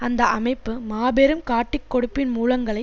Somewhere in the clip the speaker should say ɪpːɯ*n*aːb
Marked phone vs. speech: incorrect: m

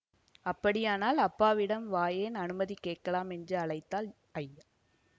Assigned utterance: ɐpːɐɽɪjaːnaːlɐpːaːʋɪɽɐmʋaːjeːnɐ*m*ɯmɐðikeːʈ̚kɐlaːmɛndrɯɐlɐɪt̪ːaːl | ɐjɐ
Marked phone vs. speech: incorrect: n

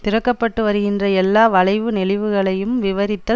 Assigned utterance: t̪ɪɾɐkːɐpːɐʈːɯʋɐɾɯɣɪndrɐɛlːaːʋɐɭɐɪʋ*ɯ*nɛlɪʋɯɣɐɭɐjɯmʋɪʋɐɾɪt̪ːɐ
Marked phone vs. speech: correct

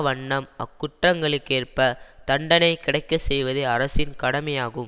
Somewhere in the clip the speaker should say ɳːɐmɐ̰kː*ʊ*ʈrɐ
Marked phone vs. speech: correct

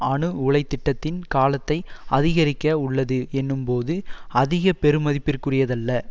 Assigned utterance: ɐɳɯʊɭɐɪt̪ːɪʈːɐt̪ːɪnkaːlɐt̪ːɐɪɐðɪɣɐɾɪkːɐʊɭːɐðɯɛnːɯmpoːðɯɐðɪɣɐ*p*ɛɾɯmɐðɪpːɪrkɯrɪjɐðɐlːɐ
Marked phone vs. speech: correct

